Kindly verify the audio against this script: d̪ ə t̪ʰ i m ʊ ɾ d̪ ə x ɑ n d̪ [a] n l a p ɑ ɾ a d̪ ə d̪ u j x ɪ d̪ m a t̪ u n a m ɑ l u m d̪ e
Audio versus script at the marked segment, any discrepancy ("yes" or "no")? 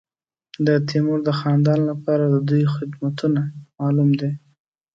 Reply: yes